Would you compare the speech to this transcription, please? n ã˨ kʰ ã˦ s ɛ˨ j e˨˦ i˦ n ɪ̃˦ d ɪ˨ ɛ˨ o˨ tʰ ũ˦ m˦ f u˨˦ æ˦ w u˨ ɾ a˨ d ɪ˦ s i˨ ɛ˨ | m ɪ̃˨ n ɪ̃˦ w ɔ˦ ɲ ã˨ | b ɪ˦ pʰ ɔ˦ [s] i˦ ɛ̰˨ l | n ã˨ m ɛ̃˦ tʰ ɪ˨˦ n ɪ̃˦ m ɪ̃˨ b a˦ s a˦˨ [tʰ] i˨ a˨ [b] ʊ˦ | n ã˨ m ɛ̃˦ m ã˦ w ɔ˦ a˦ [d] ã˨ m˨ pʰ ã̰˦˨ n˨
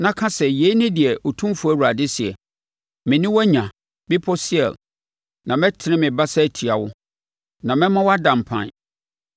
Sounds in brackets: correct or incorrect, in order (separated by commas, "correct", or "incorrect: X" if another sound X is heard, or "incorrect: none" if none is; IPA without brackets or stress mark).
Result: correct, correct, incorrect: w, correct